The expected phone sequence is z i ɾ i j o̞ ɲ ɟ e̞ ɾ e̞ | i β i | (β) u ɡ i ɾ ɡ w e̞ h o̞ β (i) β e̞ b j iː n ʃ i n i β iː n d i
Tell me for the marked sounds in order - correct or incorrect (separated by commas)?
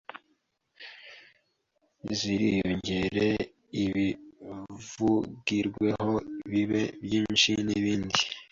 incorrect, correct